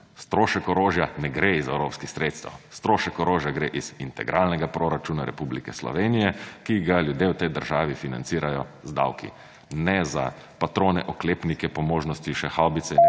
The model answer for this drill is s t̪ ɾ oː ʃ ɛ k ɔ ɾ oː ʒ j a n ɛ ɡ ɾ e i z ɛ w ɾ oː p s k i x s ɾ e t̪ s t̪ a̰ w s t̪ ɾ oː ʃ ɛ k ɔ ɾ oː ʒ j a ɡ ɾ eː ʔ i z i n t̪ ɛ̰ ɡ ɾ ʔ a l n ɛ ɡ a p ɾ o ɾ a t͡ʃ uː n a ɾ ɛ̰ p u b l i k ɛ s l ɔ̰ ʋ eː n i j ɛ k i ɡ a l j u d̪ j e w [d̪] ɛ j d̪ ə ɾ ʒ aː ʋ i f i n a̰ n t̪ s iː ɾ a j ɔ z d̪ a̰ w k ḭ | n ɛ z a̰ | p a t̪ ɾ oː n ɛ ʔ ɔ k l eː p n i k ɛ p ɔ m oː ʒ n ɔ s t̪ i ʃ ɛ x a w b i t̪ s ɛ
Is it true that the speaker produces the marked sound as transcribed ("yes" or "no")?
no